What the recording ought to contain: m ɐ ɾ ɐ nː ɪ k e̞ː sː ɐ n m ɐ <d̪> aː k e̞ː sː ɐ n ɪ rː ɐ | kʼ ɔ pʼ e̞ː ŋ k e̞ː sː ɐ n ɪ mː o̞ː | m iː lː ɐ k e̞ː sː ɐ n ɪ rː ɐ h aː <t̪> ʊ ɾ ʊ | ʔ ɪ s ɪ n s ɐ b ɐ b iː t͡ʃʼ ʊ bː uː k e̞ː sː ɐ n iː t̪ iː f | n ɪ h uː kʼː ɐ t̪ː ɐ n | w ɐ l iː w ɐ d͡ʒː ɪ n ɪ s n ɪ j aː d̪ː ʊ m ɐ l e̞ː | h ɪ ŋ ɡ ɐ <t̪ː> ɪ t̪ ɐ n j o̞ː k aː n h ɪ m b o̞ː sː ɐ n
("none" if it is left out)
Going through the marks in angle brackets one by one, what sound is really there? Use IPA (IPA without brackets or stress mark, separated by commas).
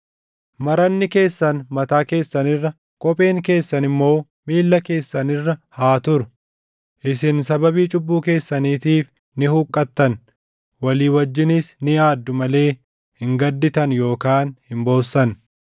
t̪, t̪, d̪ː